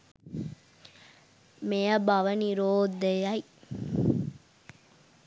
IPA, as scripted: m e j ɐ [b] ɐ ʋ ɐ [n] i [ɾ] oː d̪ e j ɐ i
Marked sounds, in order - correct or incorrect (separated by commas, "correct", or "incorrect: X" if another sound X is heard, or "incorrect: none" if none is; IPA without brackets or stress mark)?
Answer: correct, correct, correct